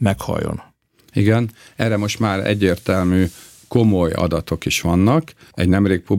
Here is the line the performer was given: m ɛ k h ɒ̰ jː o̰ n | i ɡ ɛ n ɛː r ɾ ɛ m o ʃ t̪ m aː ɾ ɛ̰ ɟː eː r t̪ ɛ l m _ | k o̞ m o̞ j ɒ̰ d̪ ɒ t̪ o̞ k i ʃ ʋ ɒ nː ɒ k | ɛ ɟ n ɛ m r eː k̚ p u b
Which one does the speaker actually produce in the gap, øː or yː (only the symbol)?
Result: yː